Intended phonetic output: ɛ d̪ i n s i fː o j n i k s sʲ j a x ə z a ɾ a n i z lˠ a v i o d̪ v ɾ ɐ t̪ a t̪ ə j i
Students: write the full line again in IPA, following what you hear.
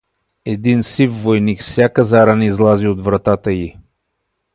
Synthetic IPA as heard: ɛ d̪ i n s i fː o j n i k f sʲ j a k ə z a ɾ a n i z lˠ a z i o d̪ v ɾ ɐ t̪ a t̪ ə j i